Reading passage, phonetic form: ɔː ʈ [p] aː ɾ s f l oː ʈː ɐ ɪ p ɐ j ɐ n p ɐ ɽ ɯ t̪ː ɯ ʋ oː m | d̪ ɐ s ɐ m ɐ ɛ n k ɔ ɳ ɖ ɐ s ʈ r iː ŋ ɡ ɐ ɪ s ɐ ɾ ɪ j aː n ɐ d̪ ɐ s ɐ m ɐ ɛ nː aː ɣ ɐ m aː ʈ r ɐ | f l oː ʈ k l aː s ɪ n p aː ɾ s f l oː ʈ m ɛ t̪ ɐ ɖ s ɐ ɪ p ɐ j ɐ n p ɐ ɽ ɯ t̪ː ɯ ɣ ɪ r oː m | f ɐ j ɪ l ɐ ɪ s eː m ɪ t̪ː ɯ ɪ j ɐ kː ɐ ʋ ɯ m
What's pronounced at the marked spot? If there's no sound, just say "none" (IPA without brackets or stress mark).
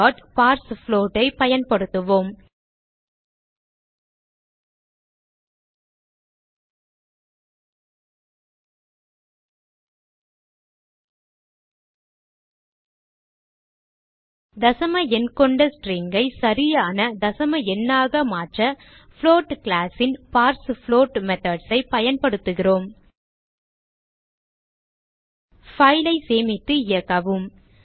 p